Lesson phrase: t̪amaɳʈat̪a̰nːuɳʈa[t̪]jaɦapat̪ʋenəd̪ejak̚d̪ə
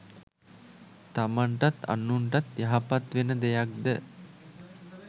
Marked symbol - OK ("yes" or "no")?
yes